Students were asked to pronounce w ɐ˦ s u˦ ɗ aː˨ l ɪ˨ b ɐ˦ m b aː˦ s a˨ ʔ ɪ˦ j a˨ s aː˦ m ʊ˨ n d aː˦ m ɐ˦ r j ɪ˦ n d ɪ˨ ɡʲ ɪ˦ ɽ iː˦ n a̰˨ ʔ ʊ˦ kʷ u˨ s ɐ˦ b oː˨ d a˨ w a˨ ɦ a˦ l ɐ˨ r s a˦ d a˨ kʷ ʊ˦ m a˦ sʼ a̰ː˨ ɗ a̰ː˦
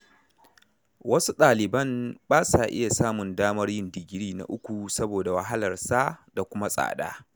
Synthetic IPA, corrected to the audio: w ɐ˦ s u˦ ɗ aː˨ l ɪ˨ b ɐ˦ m b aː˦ s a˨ ʔ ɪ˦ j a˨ s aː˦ m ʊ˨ n d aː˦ m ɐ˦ r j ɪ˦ n d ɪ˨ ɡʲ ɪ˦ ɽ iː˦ n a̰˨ ʔ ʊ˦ kʷ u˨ s ɐ˦ b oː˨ d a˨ w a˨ ɦ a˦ l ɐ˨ r s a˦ d a˨ kʷ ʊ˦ m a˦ sʼ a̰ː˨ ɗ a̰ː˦

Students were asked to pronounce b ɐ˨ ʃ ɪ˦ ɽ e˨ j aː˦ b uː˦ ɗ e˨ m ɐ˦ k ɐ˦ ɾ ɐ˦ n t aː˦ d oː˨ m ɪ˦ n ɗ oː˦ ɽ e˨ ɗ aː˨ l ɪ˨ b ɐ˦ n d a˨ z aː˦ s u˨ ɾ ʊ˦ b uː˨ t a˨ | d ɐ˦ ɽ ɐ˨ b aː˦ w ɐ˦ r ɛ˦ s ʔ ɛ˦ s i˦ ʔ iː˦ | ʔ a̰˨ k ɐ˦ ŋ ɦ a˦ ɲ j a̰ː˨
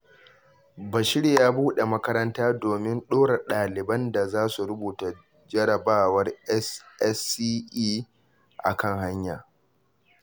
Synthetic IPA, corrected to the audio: b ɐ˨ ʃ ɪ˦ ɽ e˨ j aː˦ b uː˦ ɗ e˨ m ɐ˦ k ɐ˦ ɾ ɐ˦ n t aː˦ d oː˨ m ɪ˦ n ɗ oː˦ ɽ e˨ ɗ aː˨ l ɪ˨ b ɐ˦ n d a˨ z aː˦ s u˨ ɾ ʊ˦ b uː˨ t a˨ | d͡ʒ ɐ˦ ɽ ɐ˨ b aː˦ w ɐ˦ r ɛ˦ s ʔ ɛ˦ s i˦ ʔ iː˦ | ʔ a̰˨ k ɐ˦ ŋ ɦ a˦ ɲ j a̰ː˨

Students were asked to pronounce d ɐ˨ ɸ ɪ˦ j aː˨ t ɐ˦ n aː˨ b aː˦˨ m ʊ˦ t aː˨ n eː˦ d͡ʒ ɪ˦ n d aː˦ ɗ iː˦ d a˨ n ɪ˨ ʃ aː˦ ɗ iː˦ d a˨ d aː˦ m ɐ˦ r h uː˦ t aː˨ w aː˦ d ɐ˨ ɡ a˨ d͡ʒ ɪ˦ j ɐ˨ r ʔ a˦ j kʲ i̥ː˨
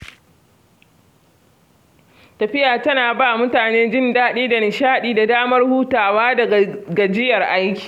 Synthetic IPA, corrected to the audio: t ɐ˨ ɸ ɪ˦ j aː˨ t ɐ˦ n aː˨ b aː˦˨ m ʊ˦ t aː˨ n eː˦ d͡ʒ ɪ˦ n d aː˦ ɗ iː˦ d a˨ n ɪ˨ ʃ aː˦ ɗ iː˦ d a˨ d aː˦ m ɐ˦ r h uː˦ t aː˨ w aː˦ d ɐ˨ ɡ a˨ d͡ʒ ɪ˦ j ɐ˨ r ʔ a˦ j kʲ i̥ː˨

